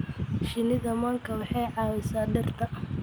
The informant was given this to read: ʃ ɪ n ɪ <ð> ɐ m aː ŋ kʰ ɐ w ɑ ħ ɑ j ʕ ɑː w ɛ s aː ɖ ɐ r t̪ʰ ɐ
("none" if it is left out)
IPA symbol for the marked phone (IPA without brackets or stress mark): ð